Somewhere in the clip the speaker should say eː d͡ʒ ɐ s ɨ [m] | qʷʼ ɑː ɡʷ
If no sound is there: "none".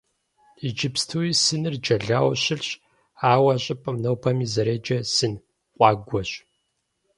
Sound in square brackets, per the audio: n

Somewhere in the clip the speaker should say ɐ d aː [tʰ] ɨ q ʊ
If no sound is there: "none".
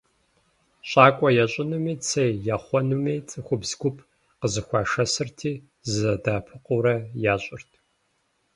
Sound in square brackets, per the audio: pʰ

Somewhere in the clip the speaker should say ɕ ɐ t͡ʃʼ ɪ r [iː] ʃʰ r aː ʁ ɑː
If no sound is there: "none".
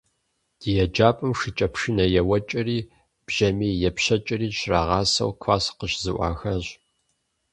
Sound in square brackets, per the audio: iː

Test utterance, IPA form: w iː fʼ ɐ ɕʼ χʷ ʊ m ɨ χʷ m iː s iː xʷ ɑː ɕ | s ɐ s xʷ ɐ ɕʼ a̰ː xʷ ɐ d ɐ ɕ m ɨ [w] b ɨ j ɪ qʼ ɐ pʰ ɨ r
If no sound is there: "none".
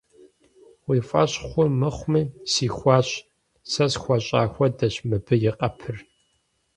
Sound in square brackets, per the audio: none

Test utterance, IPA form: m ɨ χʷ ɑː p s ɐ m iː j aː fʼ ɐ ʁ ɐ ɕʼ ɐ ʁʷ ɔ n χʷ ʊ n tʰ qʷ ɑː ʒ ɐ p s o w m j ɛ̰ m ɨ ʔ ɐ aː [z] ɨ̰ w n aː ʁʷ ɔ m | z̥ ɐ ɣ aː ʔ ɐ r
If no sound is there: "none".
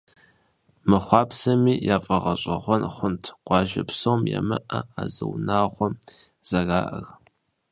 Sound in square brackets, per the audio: z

